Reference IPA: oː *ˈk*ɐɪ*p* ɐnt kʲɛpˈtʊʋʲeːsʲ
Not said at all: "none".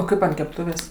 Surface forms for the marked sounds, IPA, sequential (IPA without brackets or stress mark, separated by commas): k, p